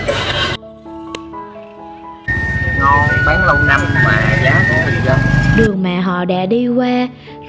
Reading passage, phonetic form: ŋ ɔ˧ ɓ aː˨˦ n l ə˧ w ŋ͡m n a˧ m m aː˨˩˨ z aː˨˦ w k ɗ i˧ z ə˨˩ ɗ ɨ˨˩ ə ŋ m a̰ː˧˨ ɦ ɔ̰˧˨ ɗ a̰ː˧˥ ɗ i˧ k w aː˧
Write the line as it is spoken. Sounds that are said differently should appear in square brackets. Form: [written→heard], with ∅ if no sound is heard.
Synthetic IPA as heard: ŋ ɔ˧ ɓ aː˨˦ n l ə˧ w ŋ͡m n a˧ m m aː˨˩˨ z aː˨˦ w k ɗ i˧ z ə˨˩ ɗ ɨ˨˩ ə ŋ m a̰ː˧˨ ɦ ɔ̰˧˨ ɗ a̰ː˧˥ ɗ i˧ k w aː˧